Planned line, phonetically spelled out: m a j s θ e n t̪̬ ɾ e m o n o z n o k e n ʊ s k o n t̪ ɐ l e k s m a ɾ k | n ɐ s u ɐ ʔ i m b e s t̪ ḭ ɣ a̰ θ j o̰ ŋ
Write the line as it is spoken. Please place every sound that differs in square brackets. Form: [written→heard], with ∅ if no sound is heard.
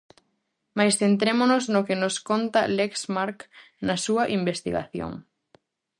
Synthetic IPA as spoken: m a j s θ e n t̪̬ ɾ e m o n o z n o k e n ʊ s k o n t̪ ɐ l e k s m a ɾ k | n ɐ s u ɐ ʔ i m b e s t̪ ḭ ɣ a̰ θ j o̰ ŋ